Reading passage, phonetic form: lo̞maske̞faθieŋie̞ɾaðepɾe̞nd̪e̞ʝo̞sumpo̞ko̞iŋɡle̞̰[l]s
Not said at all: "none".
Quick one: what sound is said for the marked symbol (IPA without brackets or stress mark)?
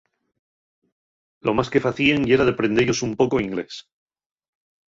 none